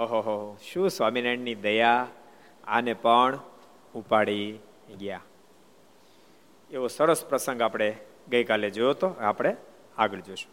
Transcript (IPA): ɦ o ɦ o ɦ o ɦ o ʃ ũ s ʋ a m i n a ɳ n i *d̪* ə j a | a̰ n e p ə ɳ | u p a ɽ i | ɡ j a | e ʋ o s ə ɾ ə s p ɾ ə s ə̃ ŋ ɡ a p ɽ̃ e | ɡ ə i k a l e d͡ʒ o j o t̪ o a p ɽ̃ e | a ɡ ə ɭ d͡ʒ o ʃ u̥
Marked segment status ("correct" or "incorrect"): correct